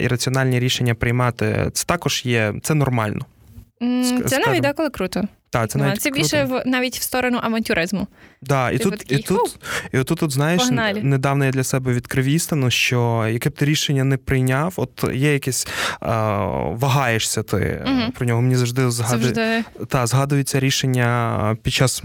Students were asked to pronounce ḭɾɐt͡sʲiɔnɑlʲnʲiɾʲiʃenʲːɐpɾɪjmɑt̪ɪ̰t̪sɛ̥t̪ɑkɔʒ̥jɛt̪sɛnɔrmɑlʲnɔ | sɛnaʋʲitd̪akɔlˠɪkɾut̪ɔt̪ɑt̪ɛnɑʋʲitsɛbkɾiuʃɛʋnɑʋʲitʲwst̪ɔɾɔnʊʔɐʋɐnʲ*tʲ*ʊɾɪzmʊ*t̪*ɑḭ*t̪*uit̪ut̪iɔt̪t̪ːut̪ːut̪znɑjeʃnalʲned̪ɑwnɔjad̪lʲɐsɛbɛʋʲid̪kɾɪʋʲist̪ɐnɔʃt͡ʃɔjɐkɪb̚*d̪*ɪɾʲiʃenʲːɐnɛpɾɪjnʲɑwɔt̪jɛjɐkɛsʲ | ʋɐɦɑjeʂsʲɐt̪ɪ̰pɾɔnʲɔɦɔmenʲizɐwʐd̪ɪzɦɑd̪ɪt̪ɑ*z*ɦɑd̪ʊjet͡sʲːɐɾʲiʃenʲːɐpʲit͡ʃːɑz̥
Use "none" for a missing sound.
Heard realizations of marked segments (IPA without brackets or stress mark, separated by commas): tʲ, d̪, t̪, t̪, z